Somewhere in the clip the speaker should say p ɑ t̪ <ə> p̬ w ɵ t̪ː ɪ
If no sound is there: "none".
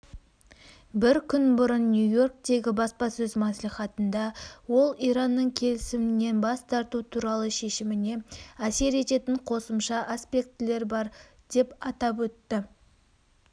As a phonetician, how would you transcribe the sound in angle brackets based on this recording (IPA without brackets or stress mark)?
ɑ